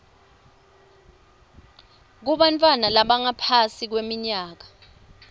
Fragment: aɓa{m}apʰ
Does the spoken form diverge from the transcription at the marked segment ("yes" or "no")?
yes